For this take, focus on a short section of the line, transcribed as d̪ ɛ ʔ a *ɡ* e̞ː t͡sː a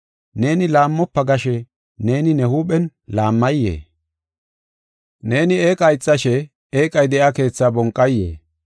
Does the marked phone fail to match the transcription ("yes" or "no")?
yes